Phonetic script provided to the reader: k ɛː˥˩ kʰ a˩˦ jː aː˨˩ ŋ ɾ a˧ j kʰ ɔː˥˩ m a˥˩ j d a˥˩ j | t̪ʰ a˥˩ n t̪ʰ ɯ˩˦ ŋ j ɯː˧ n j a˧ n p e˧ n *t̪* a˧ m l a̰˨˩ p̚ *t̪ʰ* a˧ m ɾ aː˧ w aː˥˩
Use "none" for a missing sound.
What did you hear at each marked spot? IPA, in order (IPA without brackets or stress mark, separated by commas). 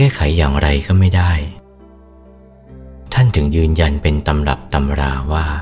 t̪, t̪